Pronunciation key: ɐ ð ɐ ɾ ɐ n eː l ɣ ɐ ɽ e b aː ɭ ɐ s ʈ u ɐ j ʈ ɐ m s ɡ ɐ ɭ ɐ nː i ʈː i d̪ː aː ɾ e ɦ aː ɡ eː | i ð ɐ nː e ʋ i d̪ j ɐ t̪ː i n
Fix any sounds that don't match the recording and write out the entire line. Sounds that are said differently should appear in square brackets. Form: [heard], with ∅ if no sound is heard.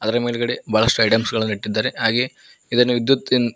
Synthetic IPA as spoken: ɐ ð ɐ ɾ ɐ [m] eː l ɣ ɐ ɽ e b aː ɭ ɐ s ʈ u ɐ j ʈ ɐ m s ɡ ɐ ɭ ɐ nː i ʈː i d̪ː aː ɾ e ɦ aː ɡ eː | i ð ɐ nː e ʋ i d̪ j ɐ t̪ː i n